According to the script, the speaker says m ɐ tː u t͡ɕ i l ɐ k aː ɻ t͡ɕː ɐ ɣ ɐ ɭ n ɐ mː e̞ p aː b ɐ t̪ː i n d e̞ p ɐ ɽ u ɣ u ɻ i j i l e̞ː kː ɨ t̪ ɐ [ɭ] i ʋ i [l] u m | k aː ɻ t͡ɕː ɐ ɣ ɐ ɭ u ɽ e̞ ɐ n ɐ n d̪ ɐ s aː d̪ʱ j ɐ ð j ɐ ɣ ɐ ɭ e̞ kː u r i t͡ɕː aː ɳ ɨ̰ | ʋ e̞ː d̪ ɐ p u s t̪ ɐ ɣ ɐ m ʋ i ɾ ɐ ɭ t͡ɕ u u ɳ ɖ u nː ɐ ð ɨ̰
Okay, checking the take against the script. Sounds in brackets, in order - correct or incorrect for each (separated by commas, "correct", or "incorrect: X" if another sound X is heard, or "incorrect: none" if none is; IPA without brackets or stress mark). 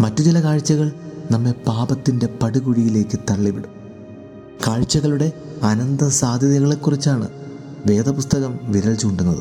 incorrect: ɭː, incorrect: ɽ